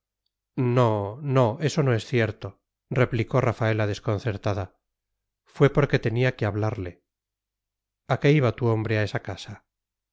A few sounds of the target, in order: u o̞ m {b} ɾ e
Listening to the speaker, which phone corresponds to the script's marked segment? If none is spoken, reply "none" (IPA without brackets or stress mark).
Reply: b